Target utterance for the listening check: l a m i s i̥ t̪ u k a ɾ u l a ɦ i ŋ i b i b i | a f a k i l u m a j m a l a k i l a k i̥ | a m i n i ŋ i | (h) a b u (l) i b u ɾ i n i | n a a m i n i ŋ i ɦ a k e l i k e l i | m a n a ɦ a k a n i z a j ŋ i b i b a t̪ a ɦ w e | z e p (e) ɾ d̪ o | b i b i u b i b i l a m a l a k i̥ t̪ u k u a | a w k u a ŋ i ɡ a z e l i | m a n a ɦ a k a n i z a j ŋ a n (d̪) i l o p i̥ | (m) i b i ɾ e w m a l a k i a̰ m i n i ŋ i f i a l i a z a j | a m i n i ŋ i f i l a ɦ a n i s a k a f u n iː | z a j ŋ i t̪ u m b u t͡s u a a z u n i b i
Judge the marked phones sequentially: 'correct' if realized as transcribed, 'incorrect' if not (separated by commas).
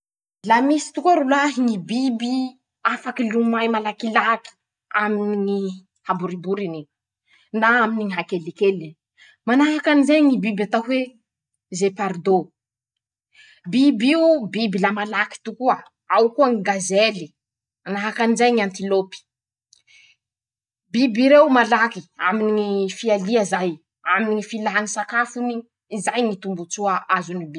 correct, incorrect, incorrect, incorrect, incorrect